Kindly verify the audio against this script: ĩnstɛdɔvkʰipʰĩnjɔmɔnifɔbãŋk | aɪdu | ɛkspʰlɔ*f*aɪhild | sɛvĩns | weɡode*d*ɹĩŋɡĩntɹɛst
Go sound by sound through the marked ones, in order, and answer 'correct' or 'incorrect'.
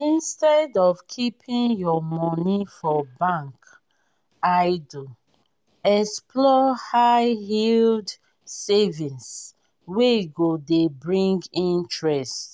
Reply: incorrect: h, incorrect: b

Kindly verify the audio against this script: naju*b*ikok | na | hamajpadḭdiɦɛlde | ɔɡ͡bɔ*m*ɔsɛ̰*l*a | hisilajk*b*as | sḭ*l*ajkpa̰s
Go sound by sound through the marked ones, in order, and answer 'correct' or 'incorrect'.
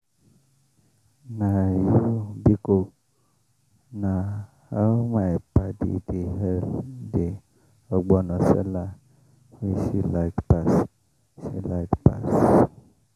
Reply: correct, incorrect: n, correct, incorrect: p, correct

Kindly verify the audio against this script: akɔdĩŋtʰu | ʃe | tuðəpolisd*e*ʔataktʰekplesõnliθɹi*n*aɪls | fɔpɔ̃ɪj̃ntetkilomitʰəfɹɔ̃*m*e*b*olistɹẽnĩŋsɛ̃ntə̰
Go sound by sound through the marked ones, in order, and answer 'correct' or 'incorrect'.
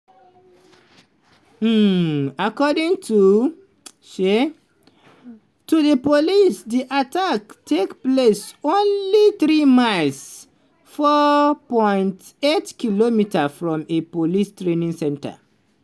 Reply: incorrect: i, incorrect: m, correct, incorrect: p

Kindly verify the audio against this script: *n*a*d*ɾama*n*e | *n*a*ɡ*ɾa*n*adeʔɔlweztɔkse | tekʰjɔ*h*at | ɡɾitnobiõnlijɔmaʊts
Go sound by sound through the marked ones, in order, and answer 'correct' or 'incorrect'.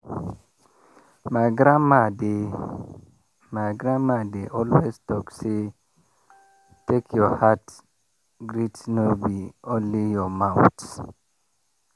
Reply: incorrect: m, incorrect: ɡ, incorrect: d, incorrect: m, correct, incorrect: m, correct

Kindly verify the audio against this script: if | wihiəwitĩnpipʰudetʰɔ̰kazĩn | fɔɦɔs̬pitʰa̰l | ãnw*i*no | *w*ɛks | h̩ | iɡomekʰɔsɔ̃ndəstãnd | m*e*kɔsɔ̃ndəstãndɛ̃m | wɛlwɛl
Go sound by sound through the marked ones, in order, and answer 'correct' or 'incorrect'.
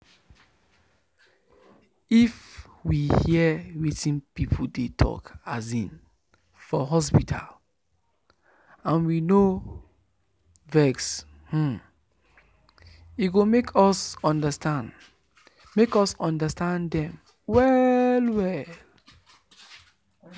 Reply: correct, incorrect: v, correct

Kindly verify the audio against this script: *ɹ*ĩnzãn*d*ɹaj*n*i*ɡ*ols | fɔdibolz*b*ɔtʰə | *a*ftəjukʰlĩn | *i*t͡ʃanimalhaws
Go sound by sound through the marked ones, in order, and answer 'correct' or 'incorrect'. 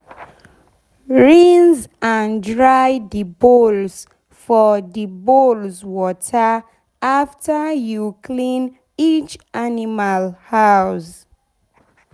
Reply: correct, correct, incorrect: d, incorrect: b, incorrect: w, correct, correct

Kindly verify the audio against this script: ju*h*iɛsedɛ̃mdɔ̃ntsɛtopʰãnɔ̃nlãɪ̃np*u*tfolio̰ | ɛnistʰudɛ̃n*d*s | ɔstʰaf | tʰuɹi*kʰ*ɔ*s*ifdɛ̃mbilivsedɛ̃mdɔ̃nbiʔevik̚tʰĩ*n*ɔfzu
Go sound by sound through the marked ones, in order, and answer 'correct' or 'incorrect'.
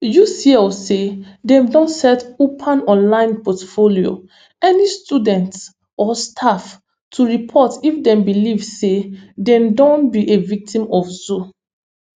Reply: incorrect: s, incorrect: ɔ, incorrect: t, incorrect: pʰ, incorrect: t, incorrect: m

